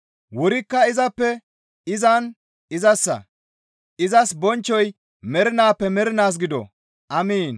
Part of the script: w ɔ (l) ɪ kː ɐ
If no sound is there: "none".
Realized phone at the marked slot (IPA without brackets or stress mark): ɾ